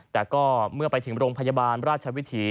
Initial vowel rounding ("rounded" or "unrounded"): unrounded